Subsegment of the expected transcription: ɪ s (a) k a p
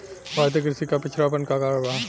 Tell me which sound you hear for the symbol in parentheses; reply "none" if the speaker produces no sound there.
i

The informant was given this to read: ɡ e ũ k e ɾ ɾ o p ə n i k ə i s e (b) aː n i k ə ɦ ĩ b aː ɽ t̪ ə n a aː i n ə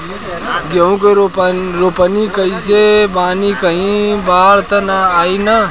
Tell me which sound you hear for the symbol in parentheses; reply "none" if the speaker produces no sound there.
b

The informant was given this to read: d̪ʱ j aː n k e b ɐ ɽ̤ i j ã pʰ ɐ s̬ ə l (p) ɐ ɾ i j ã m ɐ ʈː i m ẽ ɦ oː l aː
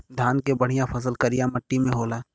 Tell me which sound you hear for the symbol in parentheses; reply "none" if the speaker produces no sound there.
k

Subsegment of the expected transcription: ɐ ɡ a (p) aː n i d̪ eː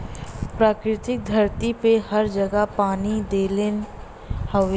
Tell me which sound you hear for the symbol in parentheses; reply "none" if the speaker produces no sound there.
p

